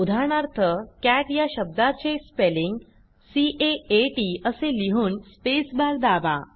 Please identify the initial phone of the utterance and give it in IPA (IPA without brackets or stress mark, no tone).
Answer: u